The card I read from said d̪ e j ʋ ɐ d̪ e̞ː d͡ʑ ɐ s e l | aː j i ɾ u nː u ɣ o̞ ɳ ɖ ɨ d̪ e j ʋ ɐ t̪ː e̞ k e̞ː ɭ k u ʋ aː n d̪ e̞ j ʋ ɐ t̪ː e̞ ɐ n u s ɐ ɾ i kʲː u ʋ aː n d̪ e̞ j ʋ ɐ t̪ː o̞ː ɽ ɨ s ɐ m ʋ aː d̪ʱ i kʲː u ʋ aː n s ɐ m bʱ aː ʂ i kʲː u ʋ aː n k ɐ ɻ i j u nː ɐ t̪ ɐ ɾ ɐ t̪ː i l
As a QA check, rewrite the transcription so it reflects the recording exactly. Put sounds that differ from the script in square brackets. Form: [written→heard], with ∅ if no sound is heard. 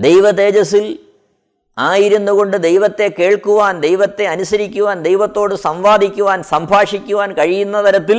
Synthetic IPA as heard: d̪ e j ʋ ɐ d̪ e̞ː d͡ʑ ɐ s [e→i] l | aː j i ɾ u nː u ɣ o̞ ɳ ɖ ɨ d̪ e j ʋ ɐ t̪ː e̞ k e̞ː ɭ k u ʋ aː n d̪ e̞ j ʋ ɐ t̪ː e̞ ɐ n u s ɐ ɾ i kʲː u ʋ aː n d̪ e̞ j ʋ ɐ t̪ː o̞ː ɽ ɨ s ɐ m ʋ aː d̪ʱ i kʲː u ʋ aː n s ɐ m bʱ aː ʂ i kʲː u ʋ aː n k ɐ ɻ i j u nː ɐ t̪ ɐ ɾ ɐ t̪ː i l